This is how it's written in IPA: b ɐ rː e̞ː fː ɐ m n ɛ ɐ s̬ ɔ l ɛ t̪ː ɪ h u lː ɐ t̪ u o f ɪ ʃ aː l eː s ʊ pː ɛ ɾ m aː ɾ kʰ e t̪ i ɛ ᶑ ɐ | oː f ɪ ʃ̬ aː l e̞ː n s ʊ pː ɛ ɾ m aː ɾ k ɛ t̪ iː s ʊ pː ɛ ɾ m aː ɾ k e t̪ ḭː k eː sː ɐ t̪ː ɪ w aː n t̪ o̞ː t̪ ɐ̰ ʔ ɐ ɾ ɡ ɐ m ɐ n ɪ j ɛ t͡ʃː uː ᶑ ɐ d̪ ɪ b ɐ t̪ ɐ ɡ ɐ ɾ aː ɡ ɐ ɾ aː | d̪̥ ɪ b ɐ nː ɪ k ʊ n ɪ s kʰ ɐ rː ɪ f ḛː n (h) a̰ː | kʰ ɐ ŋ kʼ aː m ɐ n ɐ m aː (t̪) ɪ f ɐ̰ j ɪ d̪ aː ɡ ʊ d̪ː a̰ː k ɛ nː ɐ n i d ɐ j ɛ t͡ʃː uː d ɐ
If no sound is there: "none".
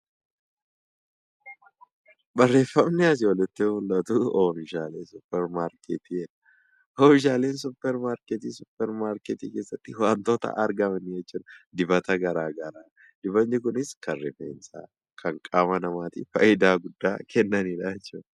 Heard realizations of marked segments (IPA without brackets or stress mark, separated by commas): s, t̪